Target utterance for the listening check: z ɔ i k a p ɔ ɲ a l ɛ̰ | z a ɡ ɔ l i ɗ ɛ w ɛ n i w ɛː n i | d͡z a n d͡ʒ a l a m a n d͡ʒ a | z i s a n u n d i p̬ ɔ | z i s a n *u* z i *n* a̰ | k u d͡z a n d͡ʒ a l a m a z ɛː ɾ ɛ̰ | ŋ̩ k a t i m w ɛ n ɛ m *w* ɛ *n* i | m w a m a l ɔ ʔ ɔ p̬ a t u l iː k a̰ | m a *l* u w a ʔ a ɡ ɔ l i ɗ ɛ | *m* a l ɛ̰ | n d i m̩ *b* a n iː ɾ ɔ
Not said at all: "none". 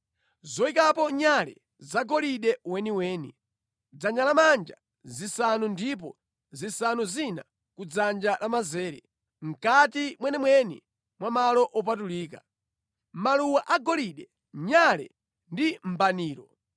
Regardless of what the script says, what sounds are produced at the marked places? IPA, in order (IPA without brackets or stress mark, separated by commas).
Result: u, n, w, n, l, ɲ, b